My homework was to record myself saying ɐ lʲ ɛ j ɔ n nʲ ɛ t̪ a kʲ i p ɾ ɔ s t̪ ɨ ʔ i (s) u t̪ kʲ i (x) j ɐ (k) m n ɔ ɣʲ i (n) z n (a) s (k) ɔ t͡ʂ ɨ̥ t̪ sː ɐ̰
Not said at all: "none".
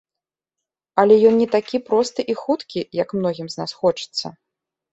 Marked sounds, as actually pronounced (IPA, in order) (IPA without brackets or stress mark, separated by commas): x, none, k, m, a, x